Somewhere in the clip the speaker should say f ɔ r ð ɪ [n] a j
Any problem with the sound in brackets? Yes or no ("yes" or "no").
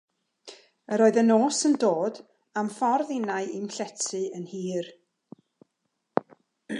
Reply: no